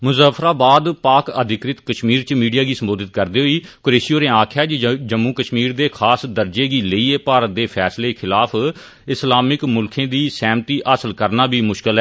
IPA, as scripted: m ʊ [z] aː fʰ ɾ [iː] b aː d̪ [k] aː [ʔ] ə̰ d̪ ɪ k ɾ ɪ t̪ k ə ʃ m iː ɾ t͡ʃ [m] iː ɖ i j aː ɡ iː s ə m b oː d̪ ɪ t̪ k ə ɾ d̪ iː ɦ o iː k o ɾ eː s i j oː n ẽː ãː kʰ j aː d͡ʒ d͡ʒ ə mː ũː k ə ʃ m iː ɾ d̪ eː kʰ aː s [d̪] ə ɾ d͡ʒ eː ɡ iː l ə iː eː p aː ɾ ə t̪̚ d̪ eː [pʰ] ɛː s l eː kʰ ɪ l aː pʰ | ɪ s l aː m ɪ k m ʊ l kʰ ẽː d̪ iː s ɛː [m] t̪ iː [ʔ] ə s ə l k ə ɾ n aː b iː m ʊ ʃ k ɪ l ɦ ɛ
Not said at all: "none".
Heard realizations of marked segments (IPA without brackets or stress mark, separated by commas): z, aː, p, k, m, d̪, pʰ, m, ʔ